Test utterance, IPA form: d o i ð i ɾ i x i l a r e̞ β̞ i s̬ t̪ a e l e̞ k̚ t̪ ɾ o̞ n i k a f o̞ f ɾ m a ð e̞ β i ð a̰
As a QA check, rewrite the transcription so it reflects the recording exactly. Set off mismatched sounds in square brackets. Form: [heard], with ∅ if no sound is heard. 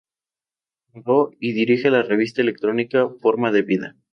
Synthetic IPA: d o i ð i ɾ i x [e] l a r e̞ β̞ i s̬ t̪ a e l e̞ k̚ t̪ ɾ o̞ n i k a f o̞ [∅] ɾ m a ð e̞ β i ð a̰